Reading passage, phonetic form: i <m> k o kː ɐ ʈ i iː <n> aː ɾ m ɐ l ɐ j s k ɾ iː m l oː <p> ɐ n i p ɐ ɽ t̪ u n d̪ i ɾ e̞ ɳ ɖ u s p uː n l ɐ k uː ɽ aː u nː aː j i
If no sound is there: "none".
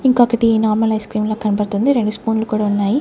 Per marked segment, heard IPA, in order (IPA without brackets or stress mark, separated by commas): ŋ, n, k